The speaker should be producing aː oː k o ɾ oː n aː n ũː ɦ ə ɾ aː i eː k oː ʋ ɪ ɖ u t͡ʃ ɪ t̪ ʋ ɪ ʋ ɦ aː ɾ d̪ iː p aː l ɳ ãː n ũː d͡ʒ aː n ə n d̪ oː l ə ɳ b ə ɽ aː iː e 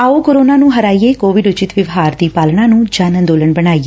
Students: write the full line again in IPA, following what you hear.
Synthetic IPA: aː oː k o ɾ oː n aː n ũː ɦ ə ɾ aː i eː k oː ʋ ɪ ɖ ʊ t͡ʃ ɪ t̪ ʋ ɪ ʋ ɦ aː ɾ d̪ iː p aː l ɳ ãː n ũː d͡ʒ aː n ə n d̪ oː l ə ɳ b ə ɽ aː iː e